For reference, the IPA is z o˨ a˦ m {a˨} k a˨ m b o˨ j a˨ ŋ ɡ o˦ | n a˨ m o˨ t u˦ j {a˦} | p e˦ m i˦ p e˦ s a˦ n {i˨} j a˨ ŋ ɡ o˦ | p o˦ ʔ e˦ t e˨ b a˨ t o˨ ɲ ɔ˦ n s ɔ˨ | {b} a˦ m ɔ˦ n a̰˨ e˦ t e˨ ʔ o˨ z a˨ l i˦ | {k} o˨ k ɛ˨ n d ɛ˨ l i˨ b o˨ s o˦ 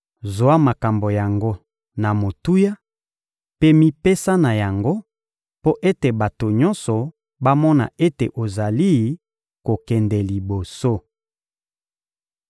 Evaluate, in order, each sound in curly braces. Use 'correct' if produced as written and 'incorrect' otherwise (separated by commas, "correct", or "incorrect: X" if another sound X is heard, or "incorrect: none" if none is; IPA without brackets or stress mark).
correct, correct, incorrect: a˨, correct, correct